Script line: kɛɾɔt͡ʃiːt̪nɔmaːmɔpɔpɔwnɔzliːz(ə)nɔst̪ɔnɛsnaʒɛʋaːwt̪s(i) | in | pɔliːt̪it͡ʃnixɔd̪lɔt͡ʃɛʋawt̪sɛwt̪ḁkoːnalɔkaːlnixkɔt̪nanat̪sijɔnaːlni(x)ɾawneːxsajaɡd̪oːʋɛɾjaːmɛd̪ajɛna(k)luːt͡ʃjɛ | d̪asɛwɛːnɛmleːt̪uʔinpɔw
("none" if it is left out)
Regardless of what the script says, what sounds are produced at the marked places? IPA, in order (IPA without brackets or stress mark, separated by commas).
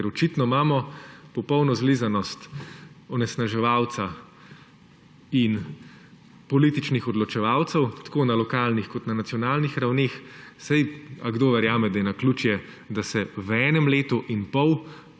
a, a, x, k